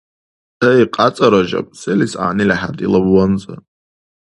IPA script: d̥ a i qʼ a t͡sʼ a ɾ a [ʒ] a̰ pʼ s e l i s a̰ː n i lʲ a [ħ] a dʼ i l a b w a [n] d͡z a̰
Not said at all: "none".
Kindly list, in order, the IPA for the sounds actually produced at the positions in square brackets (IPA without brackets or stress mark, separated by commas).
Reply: ʒ, ħ, n